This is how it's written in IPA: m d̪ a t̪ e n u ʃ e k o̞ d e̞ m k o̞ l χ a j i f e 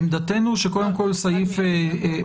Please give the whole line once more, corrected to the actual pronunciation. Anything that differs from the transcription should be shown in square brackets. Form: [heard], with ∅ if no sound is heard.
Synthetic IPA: m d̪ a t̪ e n u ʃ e k o̞ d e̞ m k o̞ l [s] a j i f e